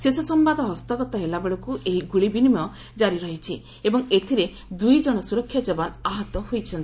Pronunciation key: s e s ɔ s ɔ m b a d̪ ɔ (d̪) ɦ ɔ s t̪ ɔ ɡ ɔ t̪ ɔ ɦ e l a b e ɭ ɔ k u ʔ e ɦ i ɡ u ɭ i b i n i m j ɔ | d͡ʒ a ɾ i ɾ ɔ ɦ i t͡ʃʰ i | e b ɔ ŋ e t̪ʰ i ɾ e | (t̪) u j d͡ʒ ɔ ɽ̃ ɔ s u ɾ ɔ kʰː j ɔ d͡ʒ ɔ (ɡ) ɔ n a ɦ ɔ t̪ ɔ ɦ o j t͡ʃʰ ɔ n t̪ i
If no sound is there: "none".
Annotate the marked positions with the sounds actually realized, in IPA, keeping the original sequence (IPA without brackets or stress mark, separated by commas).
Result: none, d̪, b